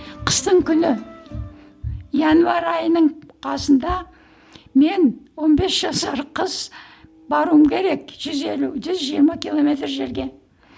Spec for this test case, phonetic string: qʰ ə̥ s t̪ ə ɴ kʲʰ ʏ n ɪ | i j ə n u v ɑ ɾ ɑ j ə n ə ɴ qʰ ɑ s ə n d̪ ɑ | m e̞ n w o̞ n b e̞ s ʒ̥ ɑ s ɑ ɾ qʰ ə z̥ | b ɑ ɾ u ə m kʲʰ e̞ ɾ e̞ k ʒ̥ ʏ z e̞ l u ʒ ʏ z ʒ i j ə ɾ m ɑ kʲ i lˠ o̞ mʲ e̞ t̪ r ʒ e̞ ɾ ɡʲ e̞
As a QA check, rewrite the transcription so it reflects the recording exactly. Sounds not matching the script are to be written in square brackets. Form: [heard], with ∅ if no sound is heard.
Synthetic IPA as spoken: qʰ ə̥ s t̪ ə ɴ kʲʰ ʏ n ɪ | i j [ɑ] n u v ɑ ɾ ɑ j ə n ə ɴ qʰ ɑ s ə n d̪ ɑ | m e̞ n w o̞ n b e̞ s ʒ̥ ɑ s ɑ ɾ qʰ ə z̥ | b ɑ ɾ u ə m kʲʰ e̞ ɾ e̞ k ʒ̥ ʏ z e̞ l u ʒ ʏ z ʒ i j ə ɾ m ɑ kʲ i lˠ o̞ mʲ e̞ t̪ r ʒ e̞ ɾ ɡʲ e̞

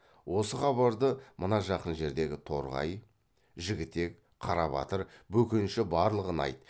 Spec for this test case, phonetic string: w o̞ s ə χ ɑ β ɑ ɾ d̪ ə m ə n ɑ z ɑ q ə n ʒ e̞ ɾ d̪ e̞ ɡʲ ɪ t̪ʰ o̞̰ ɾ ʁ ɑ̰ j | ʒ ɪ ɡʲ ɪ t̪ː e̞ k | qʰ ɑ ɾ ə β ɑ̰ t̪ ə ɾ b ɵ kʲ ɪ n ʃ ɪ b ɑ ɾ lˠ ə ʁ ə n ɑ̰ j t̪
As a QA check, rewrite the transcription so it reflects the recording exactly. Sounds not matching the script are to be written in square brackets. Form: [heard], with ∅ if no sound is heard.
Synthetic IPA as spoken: w o̞ s ə χ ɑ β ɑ ɾ d̪ ə m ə n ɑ [ʒ] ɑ q ə n ʒ e̞ ɾ d̪ e̞ ɡʲ ɪ t̪ʰ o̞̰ ɾ ʁ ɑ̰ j | ʒ ɪ ɡʲ ɪ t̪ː e̞ k | qʰ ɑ ɾ [ɑ] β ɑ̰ t̪ ə ɾ b ɵ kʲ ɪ n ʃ ɪ b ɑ ɾ lˠ ə ʁ ə n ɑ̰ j t̪

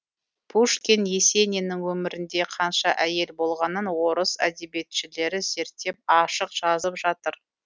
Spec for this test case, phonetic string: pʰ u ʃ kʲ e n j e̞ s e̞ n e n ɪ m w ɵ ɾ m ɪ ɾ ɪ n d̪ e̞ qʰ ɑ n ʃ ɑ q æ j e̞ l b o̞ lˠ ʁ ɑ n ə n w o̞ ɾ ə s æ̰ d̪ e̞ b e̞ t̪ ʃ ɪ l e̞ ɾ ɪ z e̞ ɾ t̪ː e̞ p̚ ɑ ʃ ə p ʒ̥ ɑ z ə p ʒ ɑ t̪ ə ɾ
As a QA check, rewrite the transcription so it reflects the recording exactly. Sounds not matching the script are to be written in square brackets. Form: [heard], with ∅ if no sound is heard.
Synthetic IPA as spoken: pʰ u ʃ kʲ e n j e̞ s e̞ n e n ɪ [ŋ] w ɵ [∅] m ɪ ɾ ɪ n d̪ e̞ qʰ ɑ n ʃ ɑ [ʔ] æ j e̞ l b o̞ lˠ ʁ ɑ n ə n w o̞ ɾ ə s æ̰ d̪ e̞ b e̞ t̪ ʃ ɪ l e̞ ɾ ɪ z e̞ ɾ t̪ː e̞ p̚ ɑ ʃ ə [q] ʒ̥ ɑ z ə p ʒ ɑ t̪ ə ɾ

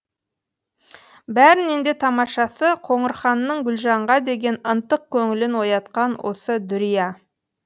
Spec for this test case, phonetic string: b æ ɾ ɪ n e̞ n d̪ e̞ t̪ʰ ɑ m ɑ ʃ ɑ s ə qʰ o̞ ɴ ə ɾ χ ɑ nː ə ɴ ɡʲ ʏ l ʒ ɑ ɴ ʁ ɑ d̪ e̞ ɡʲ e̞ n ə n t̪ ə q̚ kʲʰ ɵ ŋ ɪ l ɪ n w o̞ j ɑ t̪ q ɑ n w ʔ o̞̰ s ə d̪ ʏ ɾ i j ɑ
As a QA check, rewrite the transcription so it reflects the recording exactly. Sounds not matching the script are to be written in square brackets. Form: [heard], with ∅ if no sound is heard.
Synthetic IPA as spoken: b æ ɾ ɪ n e̞ n d̪ e̞ t̪ʰ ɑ m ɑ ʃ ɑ s ə qʰ o̞ ɴ ə ɾ χ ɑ nː ə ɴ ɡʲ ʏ l ʒ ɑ ɴ ʁ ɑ d̪ e̞ ɡʲ e̞ n ə n t̪ ə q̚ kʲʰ ɵ ŋ ɪ l ɪ n w o̞ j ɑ t̪ q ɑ n w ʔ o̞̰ s ə d̪ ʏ ɾ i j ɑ

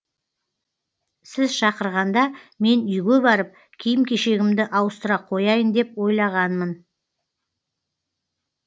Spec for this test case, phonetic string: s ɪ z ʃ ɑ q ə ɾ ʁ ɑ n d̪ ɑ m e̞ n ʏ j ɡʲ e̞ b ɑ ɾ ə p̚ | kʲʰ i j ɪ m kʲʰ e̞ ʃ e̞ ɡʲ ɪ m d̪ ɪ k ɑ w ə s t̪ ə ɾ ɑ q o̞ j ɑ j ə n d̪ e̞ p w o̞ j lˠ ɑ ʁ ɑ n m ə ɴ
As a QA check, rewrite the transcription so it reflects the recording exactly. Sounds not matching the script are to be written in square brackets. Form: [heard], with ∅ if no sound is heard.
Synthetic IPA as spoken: s ɪ z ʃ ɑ q ə ɾ ʁ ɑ n d̪ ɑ m e̞ n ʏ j ɡʲ e̞ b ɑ ɾ ə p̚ | kʲʰ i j ɪ m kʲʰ e̞ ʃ e̞ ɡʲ ɪ m d̪ ɪ [ʔ] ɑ w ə s t̪ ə ɾ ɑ [qʰ] o̞ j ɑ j ə n d̪ e̞ p w o̞ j lˠ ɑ ʁ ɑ n m ə [n]

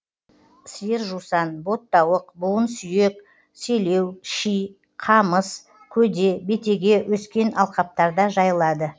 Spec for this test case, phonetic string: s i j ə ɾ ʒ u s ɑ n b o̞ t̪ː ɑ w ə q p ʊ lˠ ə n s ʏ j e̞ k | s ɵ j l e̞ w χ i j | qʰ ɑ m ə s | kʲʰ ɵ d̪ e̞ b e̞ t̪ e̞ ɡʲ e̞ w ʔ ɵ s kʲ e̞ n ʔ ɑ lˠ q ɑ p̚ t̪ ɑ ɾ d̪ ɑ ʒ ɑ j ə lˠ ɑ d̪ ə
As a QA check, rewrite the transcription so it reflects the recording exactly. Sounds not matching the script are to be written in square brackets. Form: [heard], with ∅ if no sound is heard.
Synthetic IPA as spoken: s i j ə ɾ ʒ u s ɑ n b o̞ t̪ː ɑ w ə q [b] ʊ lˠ ə n s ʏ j e̞ k | s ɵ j l e̞ w [ʃ] i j | qʰ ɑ m ə s | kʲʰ ɵ d̪ e̞ b e̞ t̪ e̞ ɡʲ e̞ w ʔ ɵ s kʲ e̞ n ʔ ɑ lˠ q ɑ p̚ t̪ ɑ ɾ d̪ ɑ ʒ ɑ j ə lˠ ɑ d̪ ə

